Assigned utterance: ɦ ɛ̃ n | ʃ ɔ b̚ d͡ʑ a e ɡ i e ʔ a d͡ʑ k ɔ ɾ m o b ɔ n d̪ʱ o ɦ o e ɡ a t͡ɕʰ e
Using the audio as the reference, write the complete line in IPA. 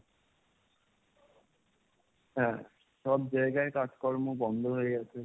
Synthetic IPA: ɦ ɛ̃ | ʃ ɔ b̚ d͡ʑ a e ɡ a e k a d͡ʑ k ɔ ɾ m o b ɔ n d̪ʱ o ɦ o e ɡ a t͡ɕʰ e